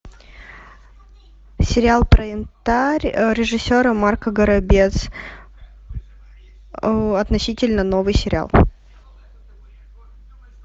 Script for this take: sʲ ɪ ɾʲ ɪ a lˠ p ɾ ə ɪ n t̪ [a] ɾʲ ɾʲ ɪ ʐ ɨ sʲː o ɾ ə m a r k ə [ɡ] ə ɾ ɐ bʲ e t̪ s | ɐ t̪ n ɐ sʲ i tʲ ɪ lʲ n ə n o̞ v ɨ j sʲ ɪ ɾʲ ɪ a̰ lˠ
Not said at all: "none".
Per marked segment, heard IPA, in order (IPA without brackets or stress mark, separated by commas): a, ɡ